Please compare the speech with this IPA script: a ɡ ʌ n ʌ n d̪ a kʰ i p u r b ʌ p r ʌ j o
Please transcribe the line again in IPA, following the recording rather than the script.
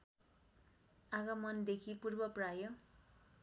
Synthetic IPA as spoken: a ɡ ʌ m ʌ n d̪ e kʰ i p u r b ʌ p r a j o